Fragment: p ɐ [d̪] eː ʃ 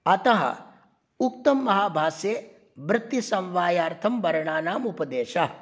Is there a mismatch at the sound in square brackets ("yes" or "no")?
no